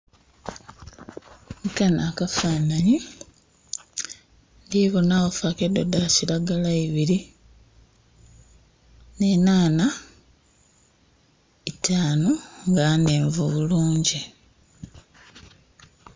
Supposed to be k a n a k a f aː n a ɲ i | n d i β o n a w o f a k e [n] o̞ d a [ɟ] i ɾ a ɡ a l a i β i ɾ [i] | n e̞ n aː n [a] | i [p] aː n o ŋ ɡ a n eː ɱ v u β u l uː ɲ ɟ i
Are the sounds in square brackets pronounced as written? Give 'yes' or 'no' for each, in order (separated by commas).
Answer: no, no, yes, yes, no